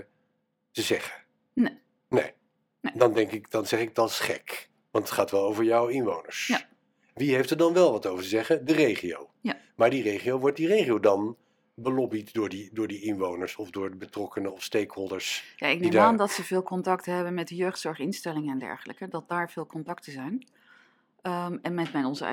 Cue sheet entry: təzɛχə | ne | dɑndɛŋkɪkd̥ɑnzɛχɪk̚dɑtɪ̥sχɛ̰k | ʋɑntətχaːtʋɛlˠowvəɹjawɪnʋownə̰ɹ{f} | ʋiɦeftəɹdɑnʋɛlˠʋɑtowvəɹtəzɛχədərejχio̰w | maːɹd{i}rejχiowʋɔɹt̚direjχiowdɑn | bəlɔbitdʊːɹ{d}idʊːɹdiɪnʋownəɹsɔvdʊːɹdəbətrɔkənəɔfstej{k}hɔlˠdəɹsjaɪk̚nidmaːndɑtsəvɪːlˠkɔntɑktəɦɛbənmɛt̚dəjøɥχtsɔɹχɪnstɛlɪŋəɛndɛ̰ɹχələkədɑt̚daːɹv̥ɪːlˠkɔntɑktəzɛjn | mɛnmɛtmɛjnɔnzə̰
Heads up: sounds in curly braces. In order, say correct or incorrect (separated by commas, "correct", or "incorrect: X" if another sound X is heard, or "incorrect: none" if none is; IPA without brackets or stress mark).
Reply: incorrect: s, correct, correct, correct